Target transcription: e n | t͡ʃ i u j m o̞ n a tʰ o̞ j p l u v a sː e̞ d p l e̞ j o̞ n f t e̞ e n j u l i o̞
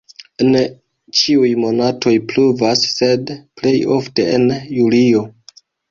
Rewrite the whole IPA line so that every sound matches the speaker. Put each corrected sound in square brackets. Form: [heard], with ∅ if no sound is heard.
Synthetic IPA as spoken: e n | t͡ʃ i u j m o̞ n a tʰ o̞ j p l u v a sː e̞ d p l e̞ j o̞ [∅] f t e̞ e n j u l i o̞